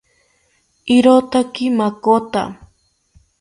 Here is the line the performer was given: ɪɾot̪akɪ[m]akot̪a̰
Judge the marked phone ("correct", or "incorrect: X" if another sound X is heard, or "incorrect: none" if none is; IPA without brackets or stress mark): correct